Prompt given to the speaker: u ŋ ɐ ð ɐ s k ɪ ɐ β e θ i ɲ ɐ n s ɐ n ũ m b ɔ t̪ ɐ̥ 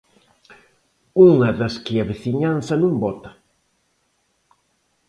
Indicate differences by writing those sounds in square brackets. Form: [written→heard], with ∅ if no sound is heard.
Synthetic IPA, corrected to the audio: u ŋ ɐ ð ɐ s k ɪ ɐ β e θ i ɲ [ɐ→a] n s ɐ n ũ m b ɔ t̪ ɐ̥